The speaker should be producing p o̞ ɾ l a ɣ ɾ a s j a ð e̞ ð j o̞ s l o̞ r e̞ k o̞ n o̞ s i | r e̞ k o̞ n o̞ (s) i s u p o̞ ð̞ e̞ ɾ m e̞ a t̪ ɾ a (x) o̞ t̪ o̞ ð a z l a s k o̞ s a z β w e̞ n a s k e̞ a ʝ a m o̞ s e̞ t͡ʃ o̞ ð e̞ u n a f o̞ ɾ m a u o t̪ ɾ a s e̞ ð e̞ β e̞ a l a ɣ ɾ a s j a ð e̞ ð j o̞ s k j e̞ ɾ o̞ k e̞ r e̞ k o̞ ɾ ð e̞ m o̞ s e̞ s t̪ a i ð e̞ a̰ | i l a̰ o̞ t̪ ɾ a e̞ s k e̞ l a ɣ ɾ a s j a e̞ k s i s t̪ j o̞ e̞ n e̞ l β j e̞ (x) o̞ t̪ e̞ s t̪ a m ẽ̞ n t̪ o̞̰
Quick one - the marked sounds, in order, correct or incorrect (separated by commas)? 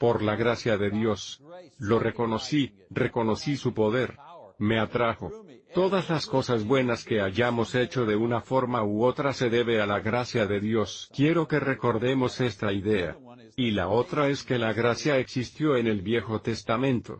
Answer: correct, correct, correct